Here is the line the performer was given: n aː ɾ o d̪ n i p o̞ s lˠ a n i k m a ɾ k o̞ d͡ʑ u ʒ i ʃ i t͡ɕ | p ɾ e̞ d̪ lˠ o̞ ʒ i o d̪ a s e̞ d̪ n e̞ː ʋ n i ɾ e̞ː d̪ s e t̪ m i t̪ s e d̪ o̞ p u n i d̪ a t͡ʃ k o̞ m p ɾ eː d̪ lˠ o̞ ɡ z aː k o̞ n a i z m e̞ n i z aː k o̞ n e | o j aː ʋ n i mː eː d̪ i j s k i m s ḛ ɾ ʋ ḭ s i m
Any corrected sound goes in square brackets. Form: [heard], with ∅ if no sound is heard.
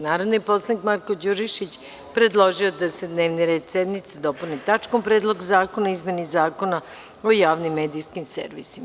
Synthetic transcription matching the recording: n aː ɾ o d̪ n i p o̞ s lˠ a n i k m a ɾ k o̞ d͡ʑ u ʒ i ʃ i t͡ɕ | p ɾ e̞ d̪ lˠ o̞ ʒ i o d̪ a s e̞ d̪ n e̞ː ʋ n i ɾ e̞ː d̪ s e [d̪] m i t̪ s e d̪ o̞ p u n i [t̪] a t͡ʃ k o̞ m p ɾ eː d̪ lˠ o̞ ɡ z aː k o̞ n a i z m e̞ n i z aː k o̞ n [a] | o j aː ʋ n i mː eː d̪ i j s k i m s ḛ ɾ ʋ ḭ s i m